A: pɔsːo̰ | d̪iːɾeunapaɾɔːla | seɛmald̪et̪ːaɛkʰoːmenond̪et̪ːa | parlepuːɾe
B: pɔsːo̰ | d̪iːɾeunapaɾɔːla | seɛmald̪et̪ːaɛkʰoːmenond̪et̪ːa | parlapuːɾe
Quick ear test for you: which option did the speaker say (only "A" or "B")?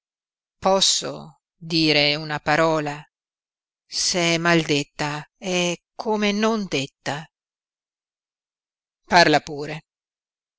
B